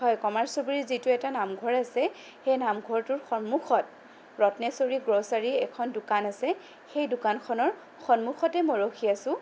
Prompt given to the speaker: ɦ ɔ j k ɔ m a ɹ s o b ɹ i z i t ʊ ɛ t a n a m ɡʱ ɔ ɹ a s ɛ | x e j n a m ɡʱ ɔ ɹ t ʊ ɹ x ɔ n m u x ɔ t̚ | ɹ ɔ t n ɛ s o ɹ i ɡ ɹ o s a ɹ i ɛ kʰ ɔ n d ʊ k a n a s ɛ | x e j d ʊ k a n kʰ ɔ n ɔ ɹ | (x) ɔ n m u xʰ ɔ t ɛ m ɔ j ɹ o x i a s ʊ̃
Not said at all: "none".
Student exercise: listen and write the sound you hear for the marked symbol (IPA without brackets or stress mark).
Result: x